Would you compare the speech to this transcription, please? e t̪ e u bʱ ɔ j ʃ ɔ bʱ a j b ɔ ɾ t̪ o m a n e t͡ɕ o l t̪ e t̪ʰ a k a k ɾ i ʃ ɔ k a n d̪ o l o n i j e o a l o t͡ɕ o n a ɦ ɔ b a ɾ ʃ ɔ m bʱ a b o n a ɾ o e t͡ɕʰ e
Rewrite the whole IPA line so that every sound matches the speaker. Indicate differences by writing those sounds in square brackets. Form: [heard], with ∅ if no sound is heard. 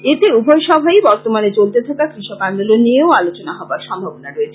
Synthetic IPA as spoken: e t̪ e u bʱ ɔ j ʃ ɔ bʱ a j b ɔ ɾ t̪ o m a n e t͡ɕ o l t̪ e t̪ʰ a k a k ɾ i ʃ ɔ k a n d̪ o l o n i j e o a l o t͡ɕ o n a ɦ ɔ b a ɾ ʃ ɔ m bʱ a b o n a ɾ o e t͡ɕʰ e